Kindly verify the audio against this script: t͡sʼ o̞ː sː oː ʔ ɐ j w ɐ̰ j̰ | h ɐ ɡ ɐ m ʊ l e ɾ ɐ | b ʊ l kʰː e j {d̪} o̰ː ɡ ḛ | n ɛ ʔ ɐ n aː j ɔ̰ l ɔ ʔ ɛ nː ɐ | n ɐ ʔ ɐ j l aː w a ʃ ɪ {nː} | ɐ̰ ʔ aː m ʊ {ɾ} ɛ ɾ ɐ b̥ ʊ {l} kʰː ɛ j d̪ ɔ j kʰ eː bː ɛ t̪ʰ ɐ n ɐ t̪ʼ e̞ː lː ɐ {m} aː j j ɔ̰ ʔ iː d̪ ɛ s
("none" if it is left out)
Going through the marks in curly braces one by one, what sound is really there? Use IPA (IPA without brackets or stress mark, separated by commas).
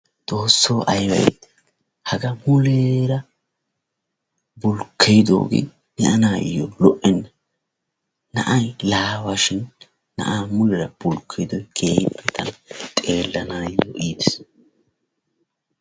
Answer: d̪, nː, l, l, n